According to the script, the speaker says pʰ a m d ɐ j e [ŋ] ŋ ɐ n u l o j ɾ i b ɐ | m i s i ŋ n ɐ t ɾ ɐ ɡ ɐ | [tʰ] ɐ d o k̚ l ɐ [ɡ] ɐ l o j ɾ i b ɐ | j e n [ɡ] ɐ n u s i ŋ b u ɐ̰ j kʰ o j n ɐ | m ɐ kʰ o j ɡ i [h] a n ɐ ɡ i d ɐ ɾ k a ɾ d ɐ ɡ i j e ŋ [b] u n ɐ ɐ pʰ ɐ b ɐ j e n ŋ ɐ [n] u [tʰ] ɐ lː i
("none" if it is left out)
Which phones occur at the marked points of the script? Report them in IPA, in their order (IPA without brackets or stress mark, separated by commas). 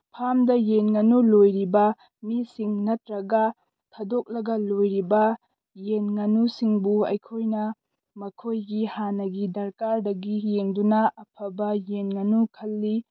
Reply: n, tʰ, ɡ, ŋ, h, d, n, kʰ